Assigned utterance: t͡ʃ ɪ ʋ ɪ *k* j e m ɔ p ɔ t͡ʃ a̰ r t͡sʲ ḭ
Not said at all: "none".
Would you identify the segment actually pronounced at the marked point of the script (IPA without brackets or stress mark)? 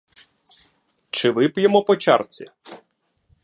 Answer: p